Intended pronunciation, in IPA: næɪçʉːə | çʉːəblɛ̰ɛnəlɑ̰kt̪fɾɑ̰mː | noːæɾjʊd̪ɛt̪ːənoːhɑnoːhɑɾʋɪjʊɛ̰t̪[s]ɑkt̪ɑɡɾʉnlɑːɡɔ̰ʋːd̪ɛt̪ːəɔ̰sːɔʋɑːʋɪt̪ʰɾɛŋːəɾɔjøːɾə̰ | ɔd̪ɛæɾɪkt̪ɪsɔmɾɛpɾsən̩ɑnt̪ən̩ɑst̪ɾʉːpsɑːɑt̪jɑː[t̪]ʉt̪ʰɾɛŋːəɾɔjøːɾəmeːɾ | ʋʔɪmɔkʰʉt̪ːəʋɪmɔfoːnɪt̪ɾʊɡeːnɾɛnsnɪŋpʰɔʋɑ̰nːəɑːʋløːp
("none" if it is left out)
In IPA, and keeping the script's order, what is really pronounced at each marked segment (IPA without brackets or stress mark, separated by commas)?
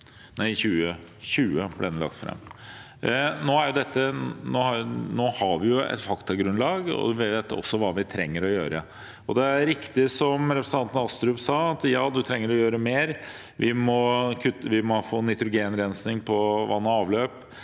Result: f, d̪